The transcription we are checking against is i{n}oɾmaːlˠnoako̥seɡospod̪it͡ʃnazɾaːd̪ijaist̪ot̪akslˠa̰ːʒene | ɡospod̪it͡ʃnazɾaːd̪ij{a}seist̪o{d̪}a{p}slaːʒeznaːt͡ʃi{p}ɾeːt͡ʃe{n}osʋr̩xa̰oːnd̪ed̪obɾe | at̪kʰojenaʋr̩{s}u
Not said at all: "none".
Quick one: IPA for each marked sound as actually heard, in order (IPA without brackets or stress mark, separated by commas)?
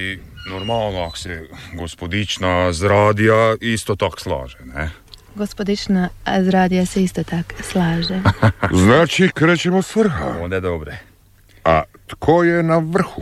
n, a, t̪, k, k, m, x